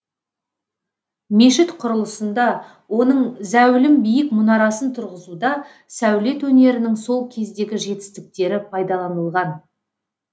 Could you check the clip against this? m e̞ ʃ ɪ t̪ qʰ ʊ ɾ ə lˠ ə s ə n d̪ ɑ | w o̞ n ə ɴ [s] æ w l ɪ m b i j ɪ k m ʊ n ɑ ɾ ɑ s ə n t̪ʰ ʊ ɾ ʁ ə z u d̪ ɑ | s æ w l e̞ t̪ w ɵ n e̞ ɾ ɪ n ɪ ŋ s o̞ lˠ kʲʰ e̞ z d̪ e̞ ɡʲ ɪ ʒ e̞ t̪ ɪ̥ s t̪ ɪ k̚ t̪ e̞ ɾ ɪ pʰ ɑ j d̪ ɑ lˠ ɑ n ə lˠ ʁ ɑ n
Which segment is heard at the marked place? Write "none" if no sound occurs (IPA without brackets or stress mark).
z